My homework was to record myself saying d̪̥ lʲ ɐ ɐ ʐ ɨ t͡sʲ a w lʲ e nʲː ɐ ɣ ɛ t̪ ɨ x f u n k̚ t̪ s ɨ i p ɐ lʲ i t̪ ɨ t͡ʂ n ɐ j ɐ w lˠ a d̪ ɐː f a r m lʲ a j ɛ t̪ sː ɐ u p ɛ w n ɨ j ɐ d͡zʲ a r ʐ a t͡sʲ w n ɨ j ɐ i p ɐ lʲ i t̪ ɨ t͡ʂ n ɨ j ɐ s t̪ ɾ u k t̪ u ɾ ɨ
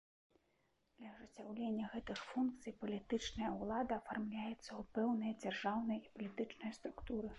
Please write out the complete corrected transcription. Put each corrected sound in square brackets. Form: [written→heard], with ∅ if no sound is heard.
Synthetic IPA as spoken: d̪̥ lʲ ɐ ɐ ʐ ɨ t͡sʲ a w lʲ e nʲː ɐ ɣ ɛ t̪ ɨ x f u n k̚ t̪ s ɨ [i→j] p ɐ lʲ i t̪ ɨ t͡ʂ n ɐ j ɐ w lˠ a d̪ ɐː f a r m lʲ a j ɛ t̪ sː ɐ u p ɛ w n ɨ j ɐ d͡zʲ a r ʐ a [t͡sʲ→∅] w n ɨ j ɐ i p ɐ lʲ i t̪ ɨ t͡ʂ n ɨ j ɐ s t̪ ɾ u k t̪ u ɾ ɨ